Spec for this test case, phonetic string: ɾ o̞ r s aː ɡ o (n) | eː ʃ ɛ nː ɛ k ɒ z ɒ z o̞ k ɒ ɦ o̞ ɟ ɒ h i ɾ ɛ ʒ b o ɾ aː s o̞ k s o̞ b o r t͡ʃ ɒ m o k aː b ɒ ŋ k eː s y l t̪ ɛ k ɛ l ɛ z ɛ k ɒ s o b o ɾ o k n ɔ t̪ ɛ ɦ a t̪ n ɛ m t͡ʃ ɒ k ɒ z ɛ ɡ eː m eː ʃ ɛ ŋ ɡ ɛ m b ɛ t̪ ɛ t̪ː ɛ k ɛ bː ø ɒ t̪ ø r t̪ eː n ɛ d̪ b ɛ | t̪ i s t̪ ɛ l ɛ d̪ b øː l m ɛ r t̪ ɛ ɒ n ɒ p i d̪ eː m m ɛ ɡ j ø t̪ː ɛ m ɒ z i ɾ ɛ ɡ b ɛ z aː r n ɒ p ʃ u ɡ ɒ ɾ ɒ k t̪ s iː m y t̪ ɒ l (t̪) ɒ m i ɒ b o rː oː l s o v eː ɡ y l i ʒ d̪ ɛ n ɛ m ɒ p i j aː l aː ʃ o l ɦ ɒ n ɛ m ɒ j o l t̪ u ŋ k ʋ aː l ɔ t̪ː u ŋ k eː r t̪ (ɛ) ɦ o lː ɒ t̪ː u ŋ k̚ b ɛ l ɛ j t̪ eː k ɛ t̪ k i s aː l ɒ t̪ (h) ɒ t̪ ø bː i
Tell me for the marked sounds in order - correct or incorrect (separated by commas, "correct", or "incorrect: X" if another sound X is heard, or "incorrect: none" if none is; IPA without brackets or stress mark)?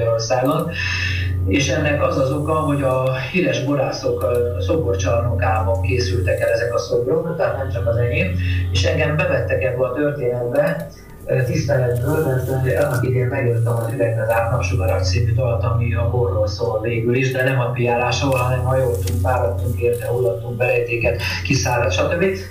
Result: correct, correct, correct, incorrect: ʃ